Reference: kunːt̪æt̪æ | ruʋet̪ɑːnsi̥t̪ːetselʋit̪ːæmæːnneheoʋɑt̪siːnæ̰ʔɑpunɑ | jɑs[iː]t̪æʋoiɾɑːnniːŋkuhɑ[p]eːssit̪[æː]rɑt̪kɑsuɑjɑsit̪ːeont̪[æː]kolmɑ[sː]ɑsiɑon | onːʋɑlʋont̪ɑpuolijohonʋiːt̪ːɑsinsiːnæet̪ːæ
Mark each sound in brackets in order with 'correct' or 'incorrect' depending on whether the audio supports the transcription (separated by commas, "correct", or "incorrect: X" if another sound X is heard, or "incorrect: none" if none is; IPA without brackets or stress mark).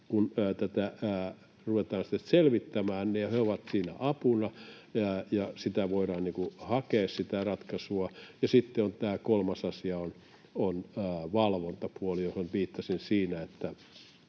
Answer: incorrect: i, incorrect: k, incorrect: æ, correct, incorrect: s